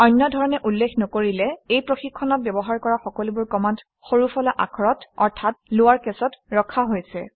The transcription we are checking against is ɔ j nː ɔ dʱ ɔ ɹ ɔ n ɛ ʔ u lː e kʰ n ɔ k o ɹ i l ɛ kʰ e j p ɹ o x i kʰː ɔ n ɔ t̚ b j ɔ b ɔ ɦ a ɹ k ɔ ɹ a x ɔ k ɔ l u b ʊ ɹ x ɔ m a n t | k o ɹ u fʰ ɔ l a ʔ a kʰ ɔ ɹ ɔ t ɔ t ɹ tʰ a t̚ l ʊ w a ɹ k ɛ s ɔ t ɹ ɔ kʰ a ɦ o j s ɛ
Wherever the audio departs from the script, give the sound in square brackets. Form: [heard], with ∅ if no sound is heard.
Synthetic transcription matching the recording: ɔ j nː ɔ dʱ ɔ ɹ ɔ n ɛ ʔ u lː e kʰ n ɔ k o ɹ i l ɛ [∅] e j p ɹ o x i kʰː ɔ n ɔ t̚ b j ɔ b ɔ ɦ a ɹ k ɔ ɹ a x ɔ k ɔ l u b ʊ ɹ [k] ɔ m a n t | [x] o ɹ u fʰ ɔ l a ʔ a kʰ ɔ ɹ ɔ t ɔ [∅] ɹ tʰ a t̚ l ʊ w a ɹ k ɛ s ɔ t ɹ ɔ kʰ a ɦ o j s ɛ